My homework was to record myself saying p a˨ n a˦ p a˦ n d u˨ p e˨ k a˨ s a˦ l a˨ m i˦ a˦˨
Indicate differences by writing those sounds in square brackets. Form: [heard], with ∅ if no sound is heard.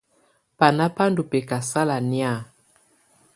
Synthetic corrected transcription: p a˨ n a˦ p a˦ n d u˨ p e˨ k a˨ s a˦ l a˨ [n] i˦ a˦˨